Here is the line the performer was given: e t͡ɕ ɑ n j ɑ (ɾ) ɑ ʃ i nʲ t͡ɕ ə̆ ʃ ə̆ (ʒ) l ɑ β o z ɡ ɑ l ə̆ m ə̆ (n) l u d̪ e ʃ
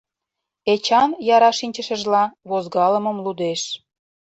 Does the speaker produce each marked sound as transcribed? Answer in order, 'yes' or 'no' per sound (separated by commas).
yes, yes, no